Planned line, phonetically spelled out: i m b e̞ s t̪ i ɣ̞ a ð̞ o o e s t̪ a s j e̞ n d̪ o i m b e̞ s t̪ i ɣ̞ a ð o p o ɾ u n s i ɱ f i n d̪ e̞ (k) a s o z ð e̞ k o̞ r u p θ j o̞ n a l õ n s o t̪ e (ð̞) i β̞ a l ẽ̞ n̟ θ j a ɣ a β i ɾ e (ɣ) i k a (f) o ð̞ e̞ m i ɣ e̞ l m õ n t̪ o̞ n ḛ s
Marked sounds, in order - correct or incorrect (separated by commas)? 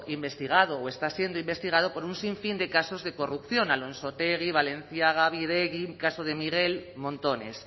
correct, incorrect, correct, incorrect